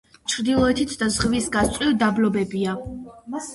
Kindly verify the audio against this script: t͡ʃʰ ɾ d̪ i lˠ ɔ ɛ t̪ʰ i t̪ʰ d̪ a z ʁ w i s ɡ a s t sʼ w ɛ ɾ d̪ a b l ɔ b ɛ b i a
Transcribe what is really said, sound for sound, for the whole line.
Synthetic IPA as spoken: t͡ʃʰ ɾ d̪ i lˠ ɔ ɛ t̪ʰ i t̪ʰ d̪ a z ʁ v i s ɡ a s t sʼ w i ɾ d̪ a b l ɔ b ɛ b i a

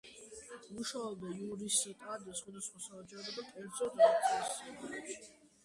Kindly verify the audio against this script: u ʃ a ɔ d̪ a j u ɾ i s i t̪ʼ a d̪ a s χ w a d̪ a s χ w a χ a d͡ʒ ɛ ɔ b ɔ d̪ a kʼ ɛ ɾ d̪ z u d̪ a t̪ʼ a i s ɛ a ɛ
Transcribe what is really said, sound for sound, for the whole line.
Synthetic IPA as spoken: u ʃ a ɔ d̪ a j u ɾ i s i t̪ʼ a d̪ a s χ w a d̪ a s χ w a s a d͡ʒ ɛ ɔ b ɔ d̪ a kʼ ɛ ɾ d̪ z ɔ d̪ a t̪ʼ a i s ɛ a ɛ

